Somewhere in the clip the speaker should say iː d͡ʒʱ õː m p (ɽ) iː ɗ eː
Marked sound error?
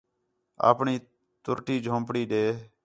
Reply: no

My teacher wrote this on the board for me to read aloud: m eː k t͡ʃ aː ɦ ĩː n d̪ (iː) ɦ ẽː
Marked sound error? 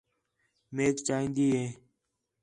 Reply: no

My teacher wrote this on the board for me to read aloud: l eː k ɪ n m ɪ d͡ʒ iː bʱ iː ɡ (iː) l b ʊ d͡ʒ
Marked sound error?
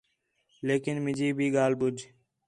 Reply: yes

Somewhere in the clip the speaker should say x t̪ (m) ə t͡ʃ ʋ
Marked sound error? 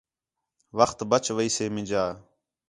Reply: yes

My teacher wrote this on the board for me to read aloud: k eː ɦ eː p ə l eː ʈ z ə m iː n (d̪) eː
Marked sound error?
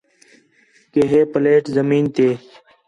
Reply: yes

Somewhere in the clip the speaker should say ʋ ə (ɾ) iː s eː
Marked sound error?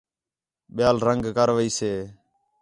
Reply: yes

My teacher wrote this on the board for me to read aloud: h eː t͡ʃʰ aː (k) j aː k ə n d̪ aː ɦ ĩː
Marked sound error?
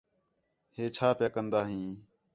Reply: yes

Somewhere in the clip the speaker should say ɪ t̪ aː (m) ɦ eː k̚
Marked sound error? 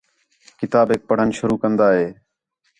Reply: yes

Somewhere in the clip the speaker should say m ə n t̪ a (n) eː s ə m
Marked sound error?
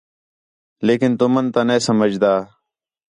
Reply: no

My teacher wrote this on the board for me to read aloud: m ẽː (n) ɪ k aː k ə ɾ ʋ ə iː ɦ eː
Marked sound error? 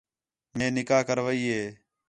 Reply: no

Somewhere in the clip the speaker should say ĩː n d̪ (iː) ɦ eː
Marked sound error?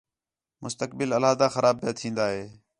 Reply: yes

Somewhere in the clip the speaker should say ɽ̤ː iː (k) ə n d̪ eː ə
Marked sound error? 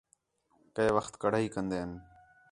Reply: no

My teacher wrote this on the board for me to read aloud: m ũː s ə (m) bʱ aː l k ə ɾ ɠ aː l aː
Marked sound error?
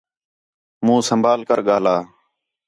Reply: no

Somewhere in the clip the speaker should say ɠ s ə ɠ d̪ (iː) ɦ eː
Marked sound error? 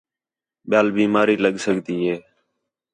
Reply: no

